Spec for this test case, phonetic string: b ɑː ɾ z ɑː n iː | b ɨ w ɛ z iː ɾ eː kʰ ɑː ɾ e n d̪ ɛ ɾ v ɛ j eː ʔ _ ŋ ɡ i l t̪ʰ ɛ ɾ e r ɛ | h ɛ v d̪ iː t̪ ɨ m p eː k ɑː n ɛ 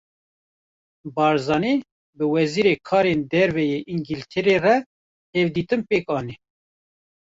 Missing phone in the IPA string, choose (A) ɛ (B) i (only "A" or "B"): B